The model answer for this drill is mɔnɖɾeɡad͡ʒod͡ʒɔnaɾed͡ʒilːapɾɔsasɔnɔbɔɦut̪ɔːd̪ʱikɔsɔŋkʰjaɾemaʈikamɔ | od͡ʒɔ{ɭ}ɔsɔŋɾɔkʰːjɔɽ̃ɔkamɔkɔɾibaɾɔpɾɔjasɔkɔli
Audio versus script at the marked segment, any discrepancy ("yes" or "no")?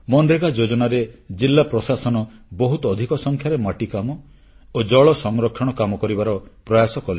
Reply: no